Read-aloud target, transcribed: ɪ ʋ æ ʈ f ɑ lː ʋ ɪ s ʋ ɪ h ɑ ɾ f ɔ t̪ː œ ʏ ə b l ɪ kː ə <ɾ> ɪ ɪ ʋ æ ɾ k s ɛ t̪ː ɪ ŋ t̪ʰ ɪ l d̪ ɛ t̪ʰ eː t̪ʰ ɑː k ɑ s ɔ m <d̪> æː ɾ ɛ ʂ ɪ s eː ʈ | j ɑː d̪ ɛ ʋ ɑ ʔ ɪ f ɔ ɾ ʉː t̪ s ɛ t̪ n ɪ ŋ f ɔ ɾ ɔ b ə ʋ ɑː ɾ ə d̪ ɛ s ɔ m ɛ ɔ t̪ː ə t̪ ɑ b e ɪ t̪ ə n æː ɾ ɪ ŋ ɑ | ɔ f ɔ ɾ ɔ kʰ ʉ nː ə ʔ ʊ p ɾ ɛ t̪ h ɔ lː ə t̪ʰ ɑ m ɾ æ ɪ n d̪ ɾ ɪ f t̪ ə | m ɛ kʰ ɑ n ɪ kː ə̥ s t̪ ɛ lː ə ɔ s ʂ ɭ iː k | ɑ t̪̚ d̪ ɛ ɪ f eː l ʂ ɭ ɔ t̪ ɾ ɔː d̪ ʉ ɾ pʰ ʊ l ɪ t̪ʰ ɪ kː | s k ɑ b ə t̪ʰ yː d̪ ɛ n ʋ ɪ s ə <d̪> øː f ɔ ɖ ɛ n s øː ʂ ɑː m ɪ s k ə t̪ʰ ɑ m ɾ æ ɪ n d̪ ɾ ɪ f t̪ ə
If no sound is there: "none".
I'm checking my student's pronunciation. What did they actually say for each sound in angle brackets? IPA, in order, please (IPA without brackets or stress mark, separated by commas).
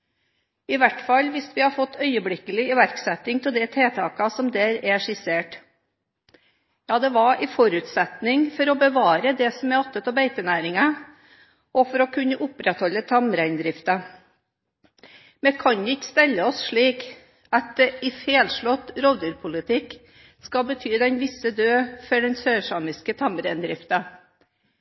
l, d̪, d̪